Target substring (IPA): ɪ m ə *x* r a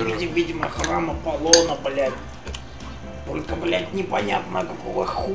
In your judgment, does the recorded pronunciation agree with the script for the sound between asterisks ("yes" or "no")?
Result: yes